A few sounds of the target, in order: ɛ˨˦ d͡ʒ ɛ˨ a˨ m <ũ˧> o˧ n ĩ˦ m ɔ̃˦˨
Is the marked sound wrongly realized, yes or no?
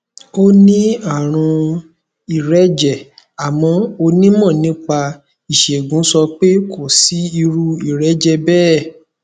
yes